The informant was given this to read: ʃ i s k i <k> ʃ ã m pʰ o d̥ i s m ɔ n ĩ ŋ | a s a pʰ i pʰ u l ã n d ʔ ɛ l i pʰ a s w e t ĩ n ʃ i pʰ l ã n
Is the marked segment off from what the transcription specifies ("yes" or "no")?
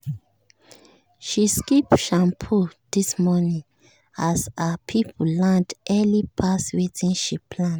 yes